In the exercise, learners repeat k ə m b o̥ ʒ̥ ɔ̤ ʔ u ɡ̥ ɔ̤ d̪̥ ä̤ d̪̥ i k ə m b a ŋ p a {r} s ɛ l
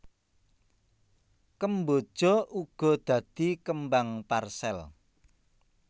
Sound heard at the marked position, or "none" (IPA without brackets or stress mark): r